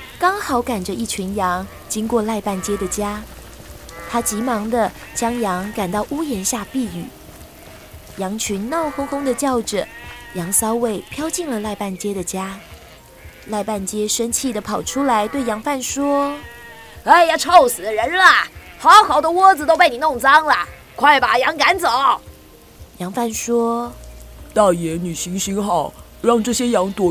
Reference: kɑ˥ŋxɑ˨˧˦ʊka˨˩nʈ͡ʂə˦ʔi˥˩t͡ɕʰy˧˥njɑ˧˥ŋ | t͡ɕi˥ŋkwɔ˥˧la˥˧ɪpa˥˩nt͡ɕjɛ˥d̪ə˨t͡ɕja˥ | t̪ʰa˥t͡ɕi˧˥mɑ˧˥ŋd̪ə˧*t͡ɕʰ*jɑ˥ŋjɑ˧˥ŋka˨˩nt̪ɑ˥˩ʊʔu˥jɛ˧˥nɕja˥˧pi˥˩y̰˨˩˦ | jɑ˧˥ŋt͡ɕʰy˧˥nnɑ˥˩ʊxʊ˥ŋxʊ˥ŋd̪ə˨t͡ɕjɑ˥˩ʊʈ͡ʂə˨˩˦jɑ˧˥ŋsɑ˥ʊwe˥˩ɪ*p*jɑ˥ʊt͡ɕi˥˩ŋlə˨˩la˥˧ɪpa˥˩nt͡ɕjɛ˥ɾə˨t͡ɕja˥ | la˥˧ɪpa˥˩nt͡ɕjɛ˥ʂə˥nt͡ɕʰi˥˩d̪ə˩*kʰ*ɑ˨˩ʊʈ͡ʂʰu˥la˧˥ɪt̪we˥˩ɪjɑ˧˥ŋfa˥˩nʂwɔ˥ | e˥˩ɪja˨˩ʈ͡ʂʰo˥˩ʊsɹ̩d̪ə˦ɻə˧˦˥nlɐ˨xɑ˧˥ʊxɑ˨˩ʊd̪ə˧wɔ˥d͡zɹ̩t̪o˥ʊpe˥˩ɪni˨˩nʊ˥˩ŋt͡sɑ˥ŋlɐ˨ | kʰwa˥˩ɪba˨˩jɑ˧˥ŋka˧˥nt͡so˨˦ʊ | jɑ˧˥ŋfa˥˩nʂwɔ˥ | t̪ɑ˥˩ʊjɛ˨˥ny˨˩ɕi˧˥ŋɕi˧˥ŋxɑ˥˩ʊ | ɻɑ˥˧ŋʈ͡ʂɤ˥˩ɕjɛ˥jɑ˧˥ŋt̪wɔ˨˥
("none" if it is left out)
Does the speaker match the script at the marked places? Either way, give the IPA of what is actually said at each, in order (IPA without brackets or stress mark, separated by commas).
t͡ɕ, pʰ, pʰ